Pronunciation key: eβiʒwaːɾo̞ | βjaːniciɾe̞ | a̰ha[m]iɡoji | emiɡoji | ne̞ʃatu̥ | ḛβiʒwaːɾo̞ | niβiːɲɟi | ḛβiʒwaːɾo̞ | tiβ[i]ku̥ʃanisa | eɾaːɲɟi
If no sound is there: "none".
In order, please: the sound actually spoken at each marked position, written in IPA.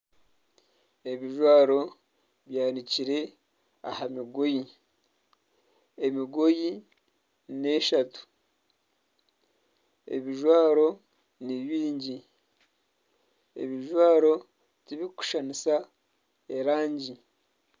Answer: m, i

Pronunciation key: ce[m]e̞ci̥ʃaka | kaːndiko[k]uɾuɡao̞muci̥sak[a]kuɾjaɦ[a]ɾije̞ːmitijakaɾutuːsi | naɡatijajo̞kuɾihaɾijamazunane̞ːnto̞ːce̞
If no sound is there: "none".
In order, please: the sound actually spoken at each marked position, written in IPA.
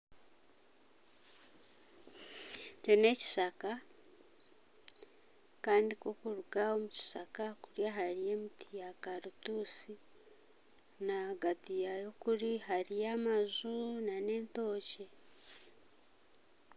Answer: n, k, a, a

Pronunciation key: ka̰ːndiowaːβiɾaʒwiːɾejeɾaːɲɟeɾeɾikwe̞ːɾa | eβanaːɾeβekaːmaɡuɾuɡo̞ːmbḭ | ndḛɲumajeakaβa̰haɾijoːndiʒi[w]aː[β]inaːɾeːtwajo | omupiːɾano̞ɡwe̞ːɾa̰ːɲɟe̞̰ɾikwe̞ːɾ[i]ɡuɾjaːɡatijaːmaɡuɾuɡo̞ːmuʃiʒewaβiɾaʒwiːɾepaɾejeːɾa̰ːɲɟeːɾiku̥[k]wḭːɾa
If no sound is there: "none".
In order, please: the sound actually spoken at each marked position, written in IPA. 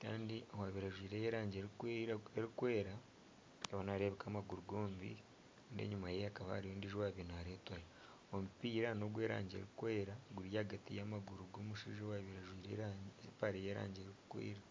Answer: w, β, a, k

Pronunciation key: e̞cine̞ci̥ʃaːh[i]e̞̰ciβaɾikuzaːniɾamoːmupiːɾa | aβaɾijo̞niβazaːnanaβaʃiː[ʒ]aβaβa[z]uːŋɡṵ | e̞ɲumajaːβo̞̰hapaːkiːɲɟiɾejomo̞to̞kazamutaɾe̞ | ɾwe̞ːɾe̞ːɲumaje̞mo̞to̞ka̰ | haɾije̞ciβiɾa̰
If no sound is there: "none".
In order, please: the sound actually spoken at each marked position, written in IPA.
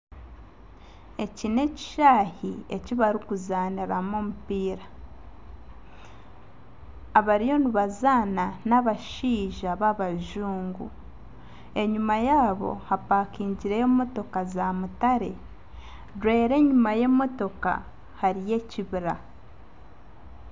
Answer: i, ʒ, ʒ

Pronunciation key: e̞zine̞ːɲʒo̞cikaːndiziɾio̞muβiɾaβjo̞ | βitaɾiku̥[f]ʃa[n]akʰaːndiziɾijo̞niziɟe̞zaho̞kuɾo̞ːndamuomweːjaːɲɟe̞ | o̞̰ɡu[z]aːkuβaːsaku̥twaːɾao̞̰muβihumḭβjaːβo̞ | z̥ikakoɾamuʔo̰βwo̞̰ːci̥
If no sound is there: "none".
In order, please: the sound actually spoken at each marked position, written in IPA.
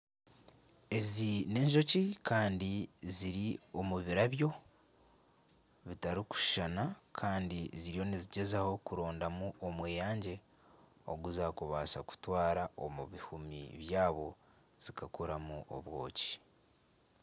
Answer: ʃ, n, z

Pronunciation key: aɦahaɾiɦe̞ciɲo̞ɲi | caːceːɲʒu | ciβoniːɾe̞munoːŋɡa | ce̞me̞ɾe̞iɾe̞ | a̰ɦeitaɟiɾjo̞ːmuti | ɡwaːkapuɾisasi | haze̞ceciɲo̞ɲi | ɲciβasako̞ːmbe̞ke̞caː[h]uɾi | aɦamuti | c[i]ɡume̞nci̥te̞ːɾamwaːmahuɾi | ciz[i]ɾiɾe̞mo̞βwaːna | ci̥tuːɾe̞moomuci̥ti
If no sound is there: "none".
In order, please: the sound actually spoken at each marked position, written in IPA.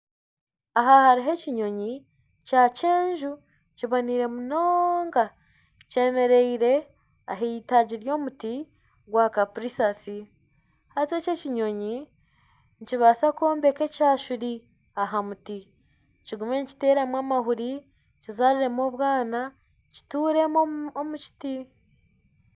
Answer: ʃ, i, a

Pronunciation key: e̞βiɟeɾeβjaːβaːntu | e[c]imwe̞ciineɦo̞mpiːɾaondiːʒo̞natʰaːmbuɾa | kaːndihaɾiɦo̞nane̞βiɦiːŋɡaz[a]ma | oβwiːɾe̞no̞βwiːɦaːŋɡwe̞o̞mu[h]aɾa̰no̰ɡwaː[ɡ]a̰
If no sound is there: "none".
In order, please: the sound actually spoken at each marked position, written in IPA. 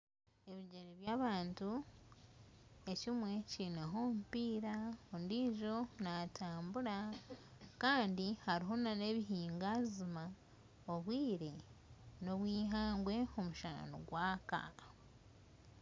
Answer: c, i, ʃ, k

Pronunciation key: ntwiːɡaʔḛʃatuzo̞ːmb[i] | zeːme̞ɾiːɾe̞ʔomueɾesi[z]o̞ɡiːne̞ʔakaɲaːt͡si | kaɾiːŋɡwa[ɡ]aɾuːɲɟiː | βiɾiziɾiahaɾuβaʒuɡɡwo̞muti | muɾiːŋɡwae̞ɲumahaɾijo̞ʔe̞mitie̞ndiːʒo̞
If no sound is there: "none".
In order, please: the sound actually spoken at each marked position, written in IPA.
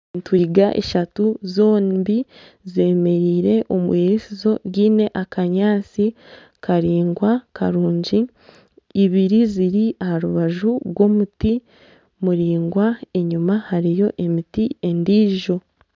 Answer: i, z, k

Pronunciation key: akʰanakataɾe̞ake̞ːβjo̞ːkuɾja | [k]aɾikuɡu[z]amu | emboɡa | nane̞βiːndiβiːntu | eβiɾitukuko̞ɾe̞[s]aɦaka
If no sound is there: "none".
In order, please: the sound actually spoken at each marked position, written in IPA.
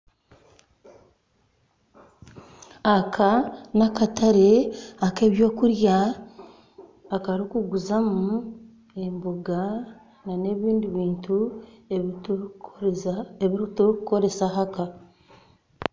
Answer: k, z, s

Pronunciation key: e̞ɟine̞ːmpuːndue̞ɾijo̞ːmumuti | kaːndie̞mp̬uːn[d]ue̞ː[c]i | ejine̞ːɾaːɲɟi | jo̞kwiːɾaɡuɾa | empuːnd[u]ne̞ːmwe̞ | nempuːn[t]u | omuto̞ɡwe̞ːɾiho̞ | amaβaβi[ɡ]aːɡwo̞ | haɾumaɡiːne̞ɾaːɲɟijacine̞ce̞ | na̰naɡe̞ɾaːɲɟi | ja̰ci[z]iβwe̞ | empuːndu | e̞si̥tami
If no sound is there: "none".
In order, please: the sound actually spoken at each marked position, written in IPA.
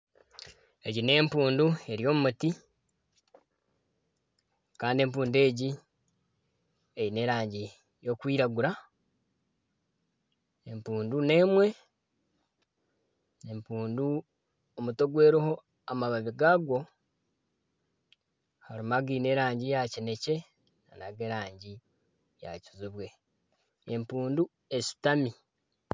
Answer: d, ɟ, u, d, ɡ, z

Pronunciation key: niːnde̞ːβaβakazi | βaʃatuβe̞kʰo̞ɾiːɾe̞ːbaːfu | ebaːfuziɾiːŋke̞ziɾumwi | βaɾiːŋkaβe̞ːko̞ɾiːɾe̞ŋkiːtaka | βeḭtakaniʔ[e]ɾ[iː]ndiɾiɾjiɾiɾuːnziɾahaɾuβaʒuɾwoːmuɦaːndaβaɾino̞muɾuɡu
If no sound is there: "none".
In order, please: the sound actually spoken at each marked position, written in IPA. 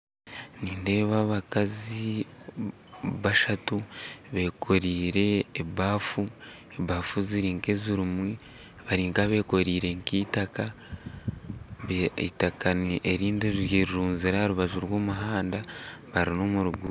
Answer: e, iː

